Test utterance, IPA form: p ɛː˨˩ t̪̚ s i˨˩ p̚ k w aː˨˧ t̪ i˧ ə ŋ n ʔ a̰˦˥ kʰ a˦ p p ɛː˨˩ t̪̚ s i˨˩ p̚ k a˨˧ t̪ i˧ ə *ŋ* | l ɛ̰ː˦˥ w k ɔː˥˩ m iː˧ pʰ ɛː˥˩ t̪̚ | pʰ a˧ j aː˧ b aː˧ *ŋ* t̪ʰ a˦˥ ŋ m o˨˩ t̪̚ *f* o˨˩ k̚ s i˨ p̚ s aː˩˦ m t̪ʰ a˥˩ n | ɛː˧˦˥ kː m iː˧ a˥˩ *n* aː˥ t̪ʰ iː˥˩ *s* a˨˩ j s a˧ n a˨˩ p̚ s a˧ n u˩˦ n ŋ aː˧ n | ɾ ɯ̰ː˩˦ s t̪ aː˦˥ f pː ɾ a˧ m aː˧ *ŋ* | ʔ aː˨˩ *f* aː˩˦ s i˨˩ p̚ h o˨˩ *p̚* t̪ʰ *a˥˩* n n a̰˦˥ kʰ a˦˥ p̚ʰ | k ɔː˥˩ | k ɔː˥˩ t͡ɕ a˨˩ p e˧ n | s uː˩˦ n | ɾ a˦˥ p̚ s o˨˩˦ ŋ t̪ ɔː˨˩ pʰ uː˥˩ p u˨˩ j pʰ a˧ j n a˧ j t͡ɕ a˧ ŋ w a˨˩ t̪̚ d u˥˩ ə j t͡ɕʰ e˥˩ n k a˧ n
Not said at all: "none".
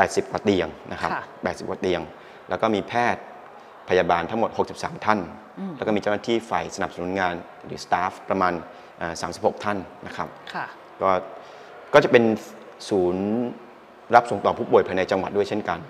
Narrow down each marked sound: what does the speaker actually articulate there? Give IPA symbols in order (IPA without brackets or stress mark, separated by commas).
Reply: ŋ, n, h, n, f, n, s, k̚, a˥˩